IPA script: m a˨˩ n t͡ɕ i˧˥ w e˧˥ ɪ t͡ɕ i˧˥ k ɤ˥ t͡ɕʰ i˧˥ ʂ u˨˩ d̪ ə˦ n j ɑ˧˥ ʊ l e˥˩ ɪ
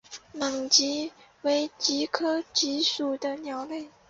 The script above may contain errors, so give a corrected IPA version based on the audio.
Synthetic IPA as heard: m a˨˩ ŋ t͡ɕ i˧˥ w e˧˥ ɪ t͡ɕ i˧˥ kʰ ɤ˥ t͡ɕ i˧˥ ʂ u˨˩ d̪ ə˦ n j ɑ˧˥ ʊ l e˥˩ ɪ